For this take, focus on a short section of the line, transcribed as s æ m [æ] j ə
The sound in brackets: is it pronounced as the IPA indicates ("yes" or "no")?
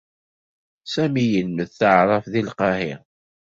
no